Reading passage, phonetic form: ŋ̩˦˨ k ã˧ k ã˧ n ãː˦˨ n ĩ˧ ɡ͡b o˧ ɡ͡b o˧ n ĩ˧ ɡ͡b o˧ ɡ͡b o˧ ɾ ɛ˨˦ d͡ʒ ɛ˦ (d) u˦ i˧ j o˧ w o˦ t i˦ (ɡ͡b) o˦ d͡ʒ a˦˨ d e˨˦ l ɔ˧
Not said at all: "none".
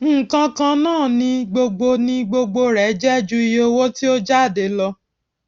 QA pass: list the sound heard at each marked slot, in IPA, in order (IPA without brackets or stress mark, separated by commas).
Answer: d͡ʒ, none